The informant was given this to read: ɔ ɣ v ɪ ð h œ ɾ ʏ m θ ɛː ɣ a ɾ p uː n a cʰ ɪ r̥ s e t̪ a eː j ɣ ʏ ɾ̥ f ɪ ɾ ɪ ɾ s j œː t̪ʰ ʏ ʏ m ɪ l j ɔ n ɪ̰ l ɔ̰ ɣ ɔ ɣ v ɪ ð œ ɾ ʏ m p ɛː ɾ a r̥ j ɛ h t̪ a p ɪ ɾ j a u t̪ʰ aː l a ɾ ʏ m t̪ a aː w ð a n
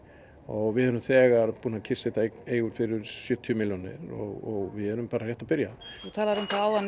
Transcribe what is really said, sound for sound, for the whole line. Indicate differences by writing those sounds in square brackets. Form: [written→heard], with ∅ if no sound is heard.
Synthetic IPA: ɔ ɣ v ɪ ð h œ ɾ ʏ m θ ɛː ɣ a ɾ p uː n a cʰ ɪ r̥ s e t̪ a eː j ɣ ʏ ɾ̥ f ɪ ɾ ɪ ɾ s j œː t̪ʰ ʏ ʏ m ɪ l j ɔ n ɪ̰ [l→ɾ] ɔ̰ ɣ ɔ ɣ v ɪ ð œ ɾ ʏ m p [ɛː→aː] ɾ a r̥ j ɛ h t̪ a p ɪ ɾ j a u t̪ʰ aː l a ɾ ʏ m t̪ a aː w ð a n